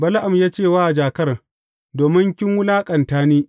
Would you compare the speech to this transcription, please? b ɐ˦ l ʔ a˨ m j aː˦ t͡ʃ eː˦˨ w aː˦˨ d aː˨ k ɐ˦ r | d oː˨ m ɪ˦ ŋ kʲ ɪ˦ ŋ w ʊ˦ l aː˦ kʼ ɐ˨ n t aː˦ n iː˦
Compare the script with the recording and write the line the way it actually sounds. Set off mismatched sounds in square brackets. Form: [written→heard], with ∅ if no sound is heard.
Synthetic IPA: b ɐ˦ l ʔ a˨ m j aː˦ t͡ʃ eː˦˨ w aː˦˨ [d→d͡ʒ] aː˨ k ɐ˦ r | d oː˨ m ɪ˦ ŋ kʲ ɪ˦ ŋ w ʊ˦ l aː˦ kʼ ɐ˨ n t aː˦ n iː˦

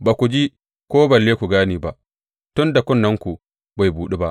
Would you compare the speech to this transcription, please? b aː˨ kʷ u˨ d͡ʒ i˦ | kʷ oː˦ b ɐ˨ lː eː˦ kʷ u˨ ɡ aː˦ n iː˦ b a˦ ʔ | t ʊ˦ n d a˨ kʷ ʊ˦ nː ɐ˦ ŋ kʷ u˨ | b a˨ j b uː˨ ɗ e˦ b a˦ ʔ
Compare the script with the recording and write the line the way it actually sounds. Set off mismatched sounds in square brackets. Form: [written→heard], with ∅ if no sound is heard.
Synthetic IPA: b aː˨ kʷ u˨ d͡ʒ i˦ | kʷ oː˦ b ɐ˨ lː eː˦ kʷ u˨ ɡ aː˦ n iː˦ b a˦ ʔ | t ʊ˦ n d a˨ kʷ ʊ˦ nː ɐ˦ ŋ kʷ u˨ | b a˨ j b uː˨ ɗ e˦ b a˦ ʔ

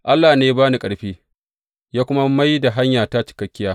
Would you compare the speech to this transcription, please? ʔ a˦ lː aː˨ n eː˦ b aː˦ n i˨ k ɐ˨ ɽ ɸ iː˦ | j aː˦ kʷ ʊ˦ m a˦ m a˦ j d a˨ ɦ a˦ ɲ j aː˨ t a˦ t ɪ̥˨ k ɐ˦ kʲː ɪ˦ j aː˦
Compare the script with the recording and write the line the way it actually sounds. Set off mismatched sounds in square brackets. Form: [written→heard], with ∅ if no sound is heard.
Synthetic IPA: ʔ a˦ lː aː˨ n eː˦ b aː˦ n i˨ [k→kʼ] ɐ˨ ɽ ɸ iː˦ | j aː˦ kʷ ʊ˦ m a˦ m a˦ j d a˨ ɦ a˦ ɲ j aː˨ t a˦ [t→t͡ʃ] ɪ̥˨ k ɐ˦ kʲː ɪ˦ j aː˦

